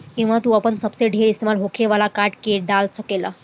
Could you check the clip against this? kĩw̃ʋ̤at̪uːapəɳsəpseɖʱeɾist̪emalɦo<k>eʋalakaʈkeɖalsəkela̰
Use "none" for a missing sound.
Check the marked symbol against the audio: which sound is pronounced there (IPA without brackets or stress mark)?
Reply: kʰ